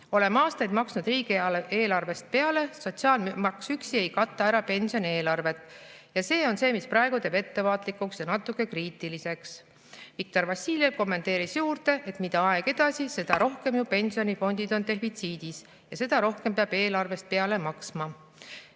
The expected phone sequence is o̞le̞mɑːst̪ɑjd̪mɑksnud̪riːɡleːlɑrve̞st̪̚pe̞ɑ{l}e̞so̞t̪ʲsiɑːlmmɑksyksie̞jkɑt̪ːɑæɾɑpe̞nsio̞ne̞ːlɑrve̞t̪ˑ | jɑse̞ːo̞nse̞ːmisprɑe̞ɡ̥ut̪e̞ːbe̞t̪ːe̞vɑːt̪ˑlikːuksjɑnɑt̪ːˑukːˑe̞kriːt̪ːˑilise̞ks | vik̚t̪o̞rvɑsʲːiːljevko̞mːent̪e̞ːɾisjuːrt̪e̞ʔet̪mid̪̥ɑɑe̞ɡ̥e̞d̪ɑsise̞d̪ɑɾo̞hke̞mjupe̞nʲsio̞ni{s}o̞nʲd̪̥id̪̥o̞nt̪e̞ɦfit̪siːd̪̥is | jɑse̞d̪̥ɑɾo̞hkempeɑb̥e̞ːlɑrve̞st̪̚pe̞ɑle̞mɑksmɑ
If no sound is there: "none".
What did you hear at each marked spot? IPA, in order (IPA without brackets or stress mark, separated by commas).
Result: l, f